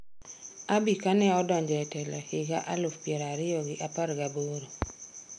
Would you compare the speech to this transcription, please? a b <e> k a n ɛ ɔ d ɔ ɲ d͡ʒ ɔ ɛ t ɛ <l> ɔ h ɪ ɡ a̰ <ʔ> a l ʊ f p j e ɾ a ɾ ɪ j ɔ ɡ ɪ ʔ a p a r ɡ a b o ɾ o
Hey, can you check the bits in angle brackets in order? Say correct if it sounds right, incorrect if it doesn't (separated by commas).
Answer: incorrect, correct, correct